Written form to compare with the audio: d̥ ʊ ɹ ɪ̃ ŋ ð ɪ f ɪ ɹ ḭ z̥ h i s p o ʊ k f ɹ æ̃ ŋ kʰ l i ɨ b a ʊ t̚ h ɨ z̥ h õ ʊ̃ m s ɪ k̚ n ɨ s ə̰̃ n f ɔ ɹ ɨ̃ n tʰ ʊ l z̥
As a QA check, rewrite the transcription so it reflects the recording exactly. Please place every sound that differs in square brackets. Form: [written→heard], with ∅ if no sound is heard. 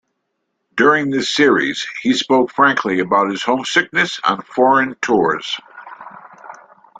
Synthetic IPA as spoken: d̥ ʊ ɹ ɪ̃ ŋ ð ɪ [f→s] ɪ ɹ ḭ z̥ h i s p o ʊ k f ɹ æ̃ ŋ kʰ l i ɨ b a ʊ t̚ h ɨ z̥ h õ ʊ̃ m s ɪ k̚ n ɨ s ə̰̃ n f ɔ ɹ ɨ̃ n tʰ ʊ [l→ɹ] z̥